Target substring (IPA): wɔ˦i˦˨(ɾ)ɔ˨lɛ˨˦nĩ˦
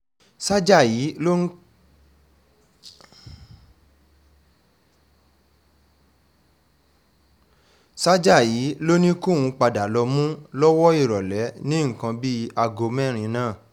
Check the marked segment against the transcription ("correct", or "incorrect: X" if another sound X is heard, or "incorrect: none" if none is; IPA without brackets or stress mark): correct